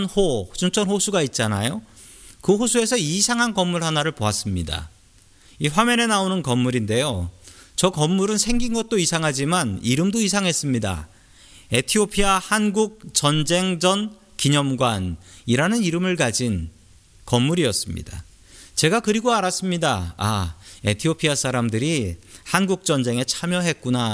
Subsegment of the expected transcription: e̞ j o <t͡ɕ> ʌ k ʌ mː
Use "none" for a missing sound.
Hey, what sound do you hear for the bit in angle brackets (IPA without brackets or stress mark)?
t͡ɕ